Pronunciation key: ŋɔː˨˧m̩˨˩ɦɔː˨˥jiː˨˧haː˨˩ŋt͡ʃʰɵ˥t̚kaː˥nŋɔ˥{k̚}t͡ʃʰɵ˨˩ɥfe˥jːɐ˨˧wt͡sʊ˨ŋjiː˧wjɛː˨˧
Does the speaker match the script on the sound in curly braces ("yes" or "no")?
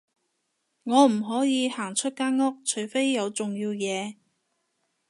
yes